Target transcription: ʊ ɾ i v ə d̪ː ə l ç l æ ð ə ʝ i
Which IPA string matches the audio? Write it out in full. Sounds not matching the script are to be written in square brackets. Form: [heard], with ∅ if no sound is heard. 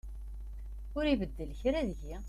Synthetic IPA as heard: ʊ ɾ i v ə d̪ː ə l ç [ɾ] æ ð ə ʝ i

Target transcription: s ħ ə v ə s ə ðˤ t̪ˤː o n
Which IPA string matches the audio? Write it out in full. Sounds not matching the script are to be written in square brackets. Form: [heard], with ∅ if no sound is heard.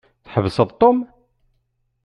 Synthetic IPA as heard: [θ] ħ ə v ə s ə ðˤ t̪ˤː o [m]

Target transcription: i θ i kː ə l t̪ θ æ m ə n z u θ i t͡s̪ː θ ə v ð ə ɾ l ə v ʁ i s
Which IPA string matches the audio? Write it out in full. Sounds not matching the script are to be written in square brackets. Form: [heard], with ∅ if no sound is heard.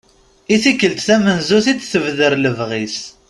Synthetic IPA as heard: i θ i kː ə l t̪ θ æ m ə n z u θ i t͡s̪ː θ ə v ð ə ɾ l ə v ʁ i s

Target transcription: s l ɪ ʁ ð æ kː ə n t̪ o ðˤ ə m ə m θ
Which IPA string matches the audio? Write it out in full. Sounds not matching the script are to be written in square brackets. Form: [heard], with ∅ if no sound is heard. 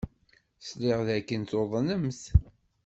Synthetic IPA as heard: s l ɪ ʁ ð æ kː ə n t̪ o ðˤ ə [n] ə m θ

